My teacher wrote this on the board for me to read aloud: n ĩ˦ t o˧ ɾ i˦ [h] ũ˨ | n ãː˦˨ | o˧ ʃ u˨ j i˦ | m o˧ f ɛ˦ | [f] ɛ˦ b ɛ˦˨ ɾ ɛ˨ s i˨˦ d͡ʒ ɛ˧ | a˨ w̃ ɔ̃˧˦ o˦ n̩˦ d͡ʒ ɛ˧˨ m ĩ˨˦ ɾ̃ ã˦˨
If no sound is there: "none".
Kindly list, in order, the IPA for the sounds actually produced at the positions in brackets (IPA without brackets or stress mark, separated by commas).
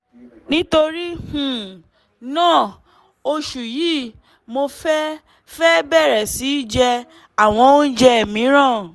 h, f